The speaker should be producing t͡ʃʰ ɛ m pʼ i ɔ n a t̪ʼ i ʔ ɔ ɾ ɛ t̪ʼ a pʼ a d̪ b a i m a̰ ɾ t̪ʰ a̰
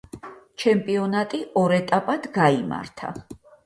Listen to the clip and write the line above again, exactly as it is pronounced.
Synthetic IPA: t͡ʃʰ ɛ m pʼ i ɔ n a t̪ʼ i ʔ ɔ ɾ ɛ t̪ʼ a pʼ a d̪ ɡ a i m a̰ ɾ t̪ʰ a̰